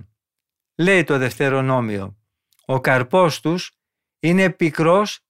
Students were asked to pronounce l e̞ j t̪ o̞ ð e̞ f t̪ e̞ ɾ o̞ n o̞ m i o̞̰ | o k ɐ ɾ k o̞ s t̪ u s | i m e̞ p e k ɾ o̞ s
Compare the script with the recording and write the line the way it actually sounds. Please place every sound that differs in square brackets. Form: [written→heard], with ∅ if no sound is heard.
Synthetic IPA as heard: l e̞ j t̪ o̞ ð e̞ f t̪ e̞ ɾ o̞ n o̞ m i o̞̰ | o k ɐ ɾ [k→p] o̞ s t̪ u s | i [m→n] e̞ p [e→i] k ɾ o̞ s